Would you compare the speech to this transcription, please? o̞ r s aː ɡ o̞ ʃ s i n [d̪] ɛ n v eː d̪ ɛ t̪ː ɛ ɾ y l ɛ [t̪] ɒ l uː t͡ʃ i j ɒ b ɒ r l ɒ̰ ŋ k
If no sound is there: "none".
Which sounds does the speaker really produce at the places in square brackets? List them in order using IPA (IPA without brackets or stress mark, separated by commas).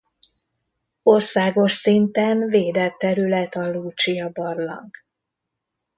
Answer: t̪, t̪